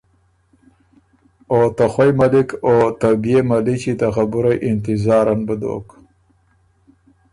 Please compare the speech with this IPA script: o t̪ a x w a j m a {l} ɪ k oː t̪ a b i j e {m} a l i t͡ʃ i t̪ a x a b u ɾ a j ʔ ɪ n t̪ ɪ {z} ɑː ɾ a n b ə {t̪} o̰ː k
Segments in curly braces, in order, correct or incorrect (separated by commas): correct, correct, correct, incorrect